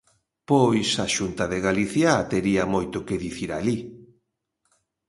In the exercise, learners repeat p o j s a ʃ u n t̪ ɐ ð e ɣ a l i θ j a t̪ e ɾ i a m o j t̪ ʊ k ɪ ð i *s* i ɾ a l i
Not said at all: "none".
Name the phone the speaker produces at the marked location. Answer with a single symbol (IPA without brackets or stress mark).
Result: θ